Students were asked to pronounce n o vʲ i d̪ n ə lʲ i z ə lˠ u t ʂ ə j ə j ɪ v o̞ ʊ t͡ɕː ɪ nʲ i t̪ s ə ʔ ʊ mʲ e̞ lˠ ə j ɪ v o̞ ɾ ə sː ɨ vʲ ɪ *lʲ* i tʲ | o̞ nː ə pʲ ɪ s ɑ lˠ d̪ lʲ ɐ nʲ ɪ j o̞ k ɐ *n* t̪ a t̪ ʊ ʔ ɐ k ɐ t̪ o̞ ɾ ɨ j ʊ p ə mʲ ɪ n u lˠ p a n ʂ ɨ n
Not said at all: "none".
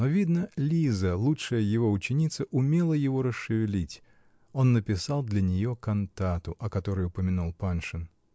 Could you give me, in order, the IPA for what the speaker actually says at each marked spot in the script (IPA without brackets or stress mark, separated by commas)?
lʲ, n